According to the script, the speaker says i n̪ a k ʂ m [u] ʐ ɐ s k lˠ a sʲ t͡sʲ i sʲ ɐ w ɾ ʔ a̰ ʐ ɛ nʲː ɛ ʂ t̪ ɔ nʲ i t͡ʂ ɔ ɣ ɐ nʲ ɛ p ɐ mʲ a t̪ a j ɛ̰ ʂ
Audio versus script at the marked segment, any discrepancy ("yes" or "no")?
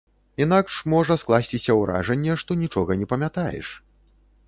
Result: yes